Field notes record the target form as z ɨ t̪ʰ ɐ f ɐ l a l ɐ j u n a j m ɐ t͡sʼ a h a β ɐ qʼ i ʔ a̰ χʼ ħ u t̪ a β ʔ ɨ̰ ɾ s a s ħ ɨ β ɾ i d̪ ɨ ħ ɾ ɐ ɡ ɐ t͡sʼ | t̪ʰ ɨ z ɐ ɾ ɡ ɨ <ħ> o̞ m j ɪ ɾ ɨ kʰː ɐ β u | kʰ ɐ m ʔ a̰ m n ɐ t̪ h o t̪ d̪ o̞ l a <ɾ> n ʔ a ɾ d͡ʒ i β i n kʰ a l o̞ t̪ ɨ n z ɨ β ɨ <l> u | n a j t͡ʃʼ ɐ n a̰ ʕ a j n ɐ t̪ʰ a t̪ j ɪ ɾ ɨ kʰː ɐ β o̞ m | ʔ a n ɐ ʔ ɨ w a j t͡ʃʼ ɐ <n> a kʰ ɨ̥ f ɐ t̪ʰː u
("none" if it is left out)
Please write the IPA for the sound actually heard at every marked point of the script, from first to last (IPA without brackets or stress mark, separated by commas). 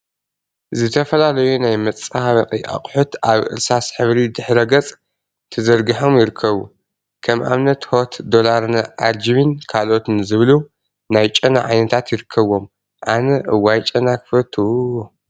ħ, ɾ, l, n